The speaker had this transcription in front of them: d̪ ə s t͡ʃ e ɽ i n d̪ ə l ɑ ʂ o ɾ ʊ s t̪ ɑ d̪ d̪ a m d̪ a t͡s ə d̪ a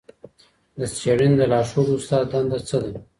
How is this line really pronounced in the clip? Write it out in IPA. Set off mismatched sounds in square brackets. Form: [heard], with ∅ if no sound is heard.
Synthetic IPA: d̪ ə s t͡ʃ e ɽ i n d̪ ə l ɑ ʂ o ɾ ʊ s t̪ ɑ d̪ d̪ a [n] d̪ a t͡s ə d̪ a